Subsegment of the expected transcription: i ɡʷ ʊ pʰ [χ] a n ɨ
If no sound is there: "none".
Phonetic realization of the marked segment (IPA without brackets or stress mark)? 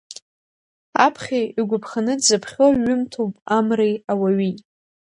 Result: χ